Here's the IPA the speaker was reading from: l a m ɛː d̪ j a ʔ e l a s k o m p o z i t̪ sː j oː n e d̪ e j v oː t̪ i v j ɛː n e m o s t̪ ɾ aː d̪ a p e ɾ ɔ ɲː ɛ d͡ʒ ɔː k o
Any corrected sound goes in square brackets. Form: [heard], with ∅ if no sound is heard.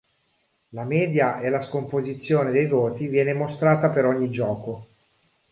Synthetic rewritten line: l a m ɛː d̪ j a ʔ e l a s k o m p o z i t̪ sː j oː n e d̪ e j v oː t̪ i v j ɛː n e m o s t̪ ɾ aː [t̪] a p e ɾ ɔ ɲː [i] d͡ʒ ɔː k o